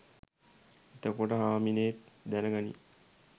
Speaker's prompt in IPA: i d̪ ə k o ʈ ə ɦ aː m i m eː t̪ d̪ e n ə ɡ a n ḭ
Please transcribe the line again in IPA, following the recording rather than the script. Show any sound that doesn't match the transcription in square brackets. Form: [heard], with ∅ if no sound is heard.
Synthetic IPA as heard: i [t̪] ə k o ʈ ə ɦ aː m i [n] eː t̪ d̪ [æ] n ə ɡ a n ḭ